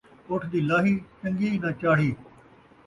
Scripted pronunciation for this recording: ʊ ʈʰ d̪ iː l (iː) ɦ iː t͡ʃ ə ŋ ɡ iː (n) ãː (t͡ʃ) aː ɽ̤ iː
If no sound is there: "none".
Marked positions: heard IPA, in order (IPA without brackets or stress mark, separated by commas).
aː, n, t͡ʃ